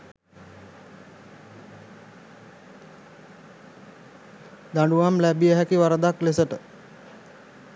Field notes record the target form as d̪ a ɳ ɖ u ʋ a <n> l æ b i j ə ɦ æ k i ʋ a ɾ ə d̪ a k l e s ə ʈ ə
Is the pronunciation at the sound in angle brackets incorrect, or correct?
incorrect